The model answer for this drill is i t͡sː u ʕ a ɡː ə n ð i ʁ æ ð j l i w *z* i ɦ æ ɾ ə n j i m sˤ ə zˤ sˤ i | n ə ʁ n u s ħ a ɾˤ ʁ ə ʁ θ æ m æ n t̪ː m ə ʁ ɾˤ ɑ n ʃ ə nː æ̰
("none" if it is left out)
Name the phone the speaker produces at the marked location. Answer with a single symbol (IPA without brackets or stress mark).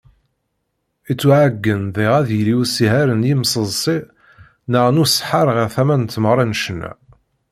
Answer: s